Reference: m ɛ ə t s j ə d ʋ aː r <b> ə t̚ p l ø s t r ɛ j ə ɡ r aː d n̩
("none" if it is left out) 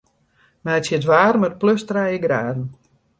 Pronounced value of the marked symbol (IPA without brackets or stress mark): m